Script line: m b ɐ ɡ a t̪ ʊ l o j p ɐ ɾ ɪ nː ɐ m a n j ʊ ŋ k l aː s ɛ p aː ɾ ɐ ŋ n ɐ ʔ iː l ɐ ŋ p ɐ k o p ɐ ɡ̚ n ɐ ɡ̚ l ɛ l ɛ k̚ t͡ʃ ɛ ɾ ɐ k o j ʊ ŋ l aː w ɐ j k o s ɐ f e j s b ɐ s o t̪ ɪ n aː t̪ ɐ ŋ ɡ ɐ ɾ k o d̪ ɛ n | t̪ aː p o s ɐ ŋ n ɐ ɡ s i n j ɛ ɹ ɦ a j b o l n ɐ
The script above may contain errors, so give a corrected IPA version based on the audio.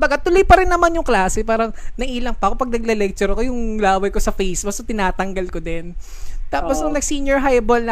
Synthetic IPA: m b ɐ ɡ a t̪ ʊ l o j p ɐ ɾ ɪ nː ɐ m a n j ʊ ŋ k l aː s ɛ p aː ɾ ɐ ŋ n ɐ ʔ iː l ɐ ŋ p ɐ k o p ɐ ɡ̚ n ɐ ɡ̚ l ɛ l ɛ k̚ t͡ʃ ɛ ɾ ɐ k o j ʊ ŋ l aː w ɐ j k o s ɐ f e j s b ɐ s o t̪ ɪ n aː t̪ ɐ ŋ ɡ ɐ l k o d̪ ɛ n | t̪ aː p o s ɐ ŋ n ɐ ɡ s i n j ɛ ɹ ɦ a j b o l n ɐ